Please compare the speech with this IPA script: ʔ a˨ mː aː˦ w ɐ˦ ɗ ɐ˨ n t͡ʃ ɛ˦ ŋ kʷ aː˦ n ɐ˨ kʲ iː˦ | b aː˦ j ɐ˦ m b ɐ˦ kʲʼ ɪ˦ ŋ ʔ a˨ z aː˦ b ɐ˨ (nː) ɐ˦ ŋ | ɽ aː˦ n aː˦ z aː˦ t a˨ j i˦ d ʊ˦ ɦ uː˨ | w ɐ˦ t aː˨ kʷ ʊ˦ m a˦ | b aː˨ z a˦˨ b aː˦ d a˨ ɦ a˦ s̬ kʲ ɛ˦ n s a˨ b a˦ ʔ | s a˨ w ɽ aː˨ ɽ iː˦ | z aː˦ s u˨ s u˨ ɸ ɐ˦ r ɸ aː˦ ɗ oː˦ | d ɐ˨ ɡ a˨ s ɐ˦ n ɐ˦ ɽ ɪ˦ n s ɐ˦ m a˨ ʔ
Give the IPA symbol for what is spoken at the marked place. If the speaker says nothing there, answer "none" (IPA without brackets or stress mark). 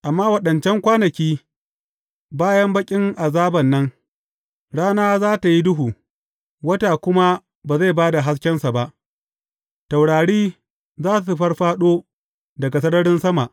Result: nː